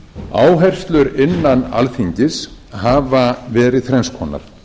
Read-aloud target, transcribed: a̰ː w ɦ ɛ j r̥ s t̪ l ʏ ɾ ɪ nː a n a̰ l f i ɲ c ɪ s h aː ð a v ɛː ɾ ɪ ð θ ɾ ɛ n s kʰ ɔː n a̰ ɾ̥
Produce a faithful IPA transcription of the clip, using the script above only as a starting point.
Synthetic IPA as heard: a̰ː w ɦ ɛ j r̥ s t̪ l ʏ ɾ ɪ nː a n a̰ l f i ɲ c ɪ s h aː v a v ɛː ɾ ɪ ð θ ɾ ɛ n s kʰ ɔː n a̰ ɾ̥